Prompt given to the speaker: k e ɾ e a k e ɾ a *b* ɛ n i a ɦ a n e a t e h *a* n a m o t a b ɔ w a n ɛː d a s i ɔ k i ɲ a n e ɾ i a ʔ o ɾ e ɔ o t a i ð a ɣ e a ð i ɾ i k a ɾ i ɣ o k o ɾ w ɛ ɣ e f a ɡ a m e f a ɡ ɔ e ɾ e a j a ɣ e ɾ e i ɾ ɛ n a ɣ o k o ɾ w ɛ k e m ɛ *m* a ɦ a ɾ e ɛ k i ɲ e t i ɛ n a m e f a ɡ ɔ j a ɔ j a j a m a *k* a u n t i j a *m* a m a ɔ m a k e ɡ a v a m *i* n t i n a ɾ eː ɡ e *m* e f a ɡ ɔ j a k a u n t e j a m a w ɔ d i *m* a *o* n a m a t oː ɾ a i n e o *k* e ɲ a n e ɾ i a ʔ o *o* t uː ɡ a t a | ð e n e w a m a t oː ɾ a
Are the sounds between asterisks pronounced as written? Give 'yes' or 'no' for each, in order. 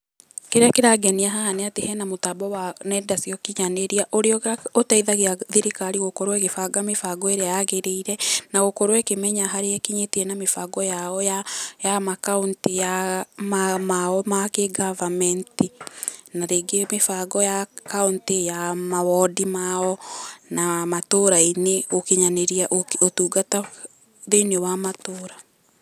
no, no, no, yes, yes, no, yes, yes, no, yes, yes

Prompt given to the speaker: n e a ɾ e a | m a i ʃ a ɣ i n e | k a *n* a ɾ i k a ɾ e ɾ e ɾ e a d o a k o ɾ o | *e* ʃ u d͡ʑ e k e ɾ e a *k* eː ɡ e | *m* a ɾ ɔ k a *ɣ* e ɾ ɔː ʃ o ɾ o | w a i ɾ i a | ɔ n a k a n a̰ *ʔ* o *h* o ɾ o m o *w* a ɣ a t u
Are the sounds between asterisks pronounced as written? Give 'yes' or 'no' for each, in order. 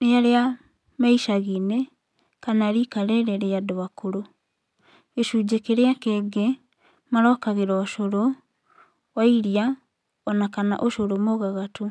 yes, yes, yes, yes, yes, yes, no, no

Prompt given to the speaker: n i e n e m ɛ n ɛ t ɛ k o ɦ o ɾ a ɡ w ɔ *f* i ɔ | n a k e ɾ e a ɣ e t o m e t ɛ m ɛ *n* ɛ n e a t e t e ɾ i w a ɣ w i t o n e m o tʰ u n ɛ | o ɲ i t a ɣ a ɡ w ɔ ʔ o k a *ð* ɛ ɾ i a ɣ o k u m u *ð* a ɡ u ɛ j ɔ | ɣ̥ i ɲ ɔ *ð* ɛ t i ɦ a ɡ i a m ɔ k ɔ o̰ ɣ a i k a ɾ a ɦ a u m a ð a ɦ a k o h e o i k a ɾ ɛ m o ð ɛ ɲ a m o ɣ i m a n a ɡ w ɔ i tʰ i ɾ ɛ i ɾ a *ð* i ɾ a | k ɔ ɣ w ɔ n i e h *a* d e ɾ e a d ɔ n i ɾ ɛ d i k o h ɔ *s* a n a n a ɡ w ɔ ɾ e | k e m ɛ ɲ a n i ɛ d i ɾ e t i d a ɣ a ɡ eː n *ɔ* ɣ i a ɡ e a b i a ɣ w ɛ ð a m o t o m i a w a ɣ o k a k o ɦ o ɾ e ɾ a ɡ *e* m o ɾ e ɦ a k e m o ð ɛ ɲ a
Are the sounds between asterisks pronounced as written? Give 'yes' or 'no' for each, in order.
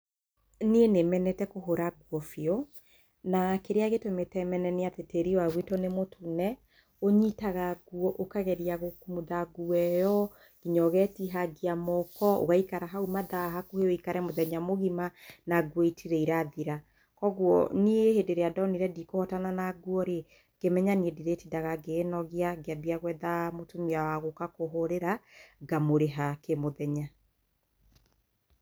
yes, yes, no, yes, no, yes, no, no, yes, no

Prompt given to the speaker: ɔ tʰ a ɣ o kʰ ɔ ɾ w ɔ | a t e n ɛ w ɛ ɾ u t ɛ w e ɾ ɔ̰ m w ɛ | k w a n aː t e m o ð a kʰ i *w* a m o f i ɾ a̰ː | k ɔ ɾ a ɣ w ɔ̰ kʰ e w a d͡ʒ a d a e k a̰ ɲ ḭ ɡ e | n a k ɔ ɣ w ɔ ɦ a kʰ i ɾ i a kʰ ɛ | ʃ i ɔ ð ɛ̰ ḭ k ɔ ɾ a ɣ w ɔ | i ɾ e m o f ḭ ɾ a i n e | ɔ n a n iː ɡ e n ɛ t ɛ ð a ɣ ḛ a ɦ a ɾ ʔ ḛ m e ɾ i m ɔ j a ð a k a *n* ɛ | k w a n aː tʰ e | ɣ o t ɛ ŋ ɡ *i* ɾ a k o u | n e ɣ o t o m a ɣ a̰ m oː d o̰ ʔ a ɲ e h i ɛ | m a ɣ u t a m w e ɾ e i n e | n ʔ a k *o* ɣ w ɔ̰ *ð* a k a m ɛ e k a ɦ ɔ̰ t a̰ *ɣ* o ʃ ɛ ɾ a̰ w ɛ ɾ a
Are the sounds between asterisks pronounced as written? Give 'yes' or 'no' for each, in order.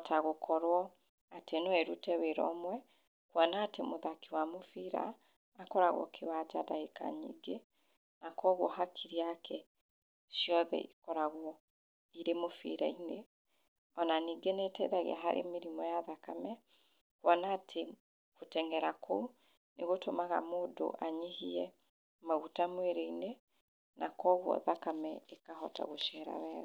yes, no, no, no, yes, yes

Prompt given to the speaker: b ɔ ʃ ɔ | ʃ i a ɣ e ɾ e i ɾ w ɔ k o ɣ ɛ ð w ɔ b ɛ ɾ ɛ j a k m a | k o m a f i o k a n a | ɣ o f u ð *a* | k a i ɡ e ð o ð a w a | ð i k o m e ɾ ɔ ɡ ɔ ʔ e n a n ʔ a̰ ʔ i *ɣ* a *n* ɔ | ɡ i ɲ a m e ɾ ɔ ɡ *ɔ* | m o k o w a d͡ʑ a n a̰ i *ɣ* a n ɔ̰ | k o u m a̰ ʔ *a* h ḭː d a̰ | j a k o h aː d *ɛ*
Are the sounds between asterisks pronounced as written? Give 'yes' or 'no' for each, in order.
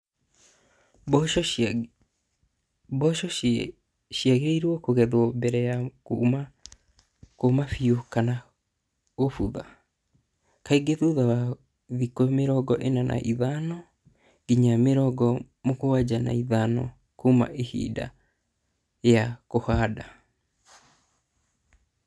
yes, no, yes, yes, no, no, no

